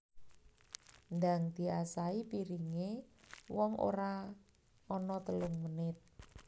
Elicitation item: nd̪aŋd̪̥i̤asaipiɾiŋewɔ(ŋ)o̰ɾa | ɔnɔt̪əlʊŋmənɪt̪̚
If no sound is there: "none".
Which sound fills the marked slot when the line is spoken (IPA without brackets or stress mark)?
ŋ